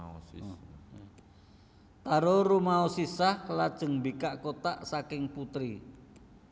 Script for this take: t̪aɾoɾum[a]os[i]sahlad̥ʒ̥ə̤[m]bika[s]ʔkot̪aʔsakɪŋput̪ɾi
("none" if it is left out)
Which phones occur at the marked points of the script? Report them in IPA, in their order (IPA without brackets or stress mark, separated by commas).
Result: a, i, ŋ, none